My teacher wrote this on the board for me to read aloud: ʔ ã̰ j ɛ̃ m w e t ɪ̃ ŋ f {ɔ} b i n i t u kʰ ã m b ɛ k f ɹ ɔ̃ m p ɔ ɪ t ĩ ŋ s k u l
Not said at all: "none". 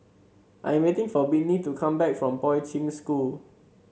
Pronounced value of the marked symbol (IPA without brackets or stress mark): ɔ